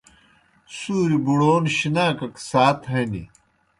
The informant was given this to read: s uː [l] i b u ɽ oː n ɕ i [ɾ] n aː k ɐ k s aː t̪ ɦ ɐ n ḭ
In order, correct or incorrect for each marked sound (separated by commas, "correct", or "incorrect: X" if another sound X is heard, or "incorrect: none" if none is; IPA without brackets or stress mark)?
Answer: incorrect: ɾ, incorrect: none